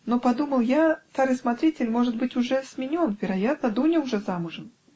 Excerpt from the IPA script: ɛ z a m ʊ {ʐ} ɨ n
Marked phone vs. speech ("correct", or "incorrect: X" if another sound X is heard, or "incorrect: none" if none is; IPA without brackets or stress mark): correct